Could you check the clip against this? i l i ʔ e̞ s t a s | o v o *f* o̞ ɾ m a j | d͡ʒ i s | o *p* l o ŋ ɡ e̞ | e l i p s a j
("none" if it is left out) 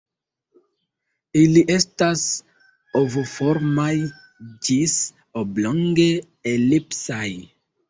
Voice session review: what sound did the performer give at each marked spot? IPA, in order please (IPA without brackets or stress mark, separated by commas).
f, b